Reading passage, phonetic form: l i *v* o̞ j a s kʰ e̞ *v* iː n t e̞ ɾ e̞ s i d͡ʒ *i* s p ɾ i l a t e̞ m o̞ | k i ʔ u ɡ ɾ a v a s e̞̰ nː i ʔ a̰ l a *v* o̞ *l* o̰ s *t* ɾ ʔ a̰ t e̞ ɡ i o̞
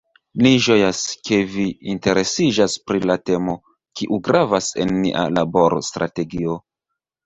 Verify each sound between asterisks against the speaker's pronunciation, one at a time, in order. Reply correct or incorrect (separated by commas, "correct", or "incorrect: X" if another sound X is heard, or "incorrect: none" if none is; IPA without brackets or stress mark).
incorrect: ʒ, correct, incorrect: a, incorrect: b, incorrect: ɾ, correct